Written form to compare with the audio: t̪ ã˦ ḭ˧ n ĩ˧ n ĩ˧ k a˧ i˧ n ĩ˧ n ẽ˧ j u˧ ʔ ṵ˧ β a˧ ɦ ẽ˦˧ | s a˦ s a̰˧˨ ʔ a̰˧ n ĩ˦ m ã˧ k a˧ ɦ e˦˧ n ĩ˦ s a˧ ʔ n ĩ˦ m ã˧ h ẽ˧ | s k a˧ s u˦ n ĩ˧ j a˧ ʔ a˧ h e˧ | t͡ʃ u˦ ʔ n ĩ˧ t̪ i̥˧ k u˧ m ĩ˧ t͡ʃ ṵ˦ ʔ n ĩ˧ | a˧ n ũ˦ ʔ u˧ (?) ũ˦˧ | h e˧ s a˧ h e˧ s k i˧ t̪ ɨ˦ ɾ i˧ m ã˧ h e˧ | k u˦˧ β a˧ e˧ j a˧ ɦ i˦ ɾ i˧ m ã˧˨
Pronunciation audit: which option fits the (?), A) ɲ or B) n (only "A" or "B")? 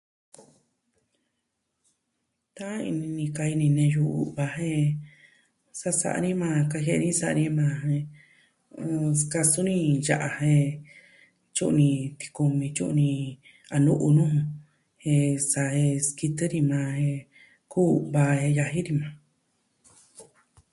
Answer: B